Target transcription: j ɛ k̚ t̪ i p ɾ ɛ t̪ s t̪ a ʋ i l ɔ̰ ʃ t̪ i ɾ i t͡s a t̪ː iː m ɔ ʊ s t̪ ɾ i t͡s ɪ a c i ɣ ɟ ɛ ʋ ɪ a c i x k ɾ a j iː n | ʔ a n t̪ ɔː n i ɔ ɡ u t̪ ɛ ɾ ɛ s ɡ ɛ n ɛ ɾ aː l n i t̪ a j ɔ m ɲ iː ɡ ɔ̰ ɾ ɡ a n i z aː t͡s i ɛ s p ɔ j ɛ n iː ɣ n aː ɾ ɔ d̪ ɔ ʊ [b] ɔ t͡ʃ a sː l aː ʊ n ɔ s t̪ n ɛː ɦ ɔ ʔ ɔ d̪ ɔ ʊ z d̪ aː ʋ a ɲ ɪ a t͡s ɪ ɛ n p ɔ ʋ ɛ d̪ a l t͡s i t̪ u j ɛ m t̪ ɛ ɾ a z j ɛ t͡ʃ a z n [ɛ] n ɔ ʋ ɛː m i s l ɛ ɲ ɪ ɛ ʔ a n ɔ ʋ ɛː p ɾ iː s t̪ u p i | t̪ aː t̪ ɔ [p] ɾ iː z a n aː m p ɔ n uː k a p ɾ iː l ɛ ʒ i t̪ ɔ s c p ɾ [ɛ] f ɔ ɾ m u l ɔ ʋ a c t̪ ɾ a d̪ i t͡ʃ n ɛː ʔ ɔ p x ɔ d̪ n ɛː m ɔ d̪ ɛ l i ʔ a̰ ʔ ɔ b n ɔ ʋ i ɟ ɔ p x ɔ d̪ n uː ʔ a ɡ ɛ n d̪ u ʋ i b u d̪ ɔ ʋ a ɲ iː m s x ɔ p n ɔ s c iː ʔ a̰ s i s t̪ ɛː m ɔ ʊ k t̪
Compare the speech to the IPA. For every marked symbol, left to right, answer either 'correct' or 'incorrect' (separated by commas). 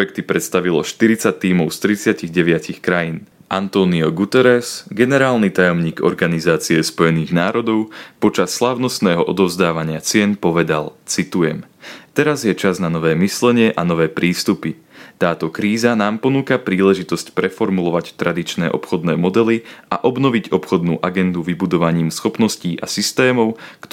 incorrect, incorrect, incorrect, correct